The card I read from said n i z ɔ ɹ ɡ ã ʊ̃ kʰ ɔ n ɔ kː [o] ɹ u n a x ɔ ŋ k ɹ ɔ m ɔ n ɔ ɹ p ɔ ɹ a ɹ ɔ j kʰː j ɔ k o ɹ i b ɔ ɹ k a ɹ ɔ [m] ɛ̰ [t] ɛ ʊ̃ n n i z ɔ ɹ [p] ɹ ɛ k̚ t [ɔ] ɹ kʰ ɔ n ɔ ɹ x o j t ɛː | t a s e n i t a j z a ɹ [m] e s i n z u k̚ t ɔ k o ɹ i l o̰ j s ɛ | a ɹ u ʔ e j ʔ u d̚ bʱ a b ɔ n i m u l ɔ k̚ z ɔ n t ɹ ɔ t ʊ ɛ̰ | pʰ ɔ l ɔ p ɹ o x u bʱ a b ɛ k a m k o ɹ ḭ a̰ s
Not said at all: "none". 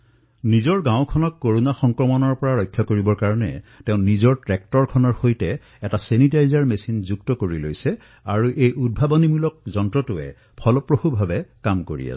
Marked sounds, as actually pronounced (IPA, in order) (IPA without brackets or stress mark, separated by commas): o, n, t, t, ɔ, m